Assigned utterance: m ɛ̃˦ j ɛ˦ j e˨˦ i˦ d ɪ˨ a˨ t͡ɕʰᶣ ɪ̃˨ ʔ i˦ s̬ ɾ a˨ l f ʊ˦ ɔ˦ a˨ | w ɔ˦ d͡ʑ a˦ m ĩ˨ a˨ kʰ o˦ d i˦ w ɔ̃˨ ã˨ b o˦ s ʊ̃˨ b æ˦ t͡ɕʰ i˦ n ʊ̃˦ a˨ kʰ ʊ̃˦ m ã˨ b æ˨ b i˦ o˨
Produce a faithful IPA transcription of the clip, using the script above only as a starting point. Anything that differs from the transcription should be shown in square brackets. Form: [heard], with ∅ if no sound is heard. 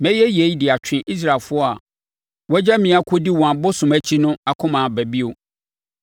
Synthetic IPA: m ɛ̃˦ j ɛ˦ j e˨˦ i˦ d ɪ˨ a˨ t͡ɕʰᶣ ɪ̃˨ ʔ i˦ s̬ ɾ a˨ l f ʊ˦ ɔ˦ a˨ | w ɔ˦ d͡ʑ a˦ m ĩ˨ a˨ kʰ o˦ d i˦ w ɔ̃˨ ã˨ b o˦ s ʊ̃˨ [m] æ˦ t͡ɕʰ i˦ n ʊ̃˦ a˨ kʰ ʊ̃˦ m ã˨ b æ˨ b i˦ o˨